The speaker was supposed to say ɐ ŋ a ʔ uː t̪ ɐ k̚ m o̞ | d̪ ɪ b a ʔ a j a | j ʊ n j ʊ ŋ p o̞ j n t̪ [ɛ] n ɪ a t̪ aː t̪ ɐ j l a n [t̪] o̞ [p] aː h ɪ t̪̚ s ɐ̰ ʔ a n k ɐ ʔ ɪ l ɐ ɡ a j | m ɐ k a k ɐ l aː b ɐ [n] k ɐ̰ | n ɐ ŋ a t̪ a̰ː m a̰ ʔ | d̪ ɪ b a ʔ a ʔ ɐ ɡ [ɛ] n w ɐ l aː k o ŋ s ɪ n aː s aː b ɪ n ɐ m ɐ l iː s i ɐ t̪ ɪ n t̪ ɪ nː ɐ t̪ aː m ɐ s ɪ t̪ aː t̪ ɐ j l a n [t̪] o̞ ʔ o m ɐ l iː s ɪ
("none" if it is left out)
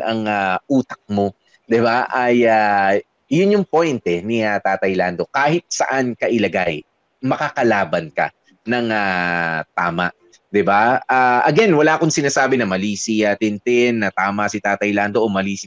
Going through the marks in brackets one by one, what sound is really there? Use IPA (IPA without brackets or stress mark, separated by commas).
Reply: ɛ, d̪, k, n, ɛ, d̪